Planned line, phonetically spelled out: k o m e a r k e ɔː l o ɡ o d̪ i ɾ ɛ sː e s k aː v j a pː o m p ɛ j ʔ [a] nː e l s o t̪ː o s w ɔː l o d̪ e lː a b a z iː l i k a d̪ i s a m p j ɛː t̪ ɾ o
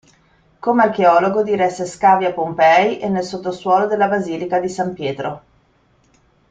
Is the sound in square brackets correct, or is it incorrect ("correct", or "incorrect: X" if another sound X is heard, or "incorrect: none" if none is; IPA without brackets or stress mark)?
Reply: incorrect: e